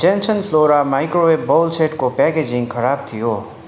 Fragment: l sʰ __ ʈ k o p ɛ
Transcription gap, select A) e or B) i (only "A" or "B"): A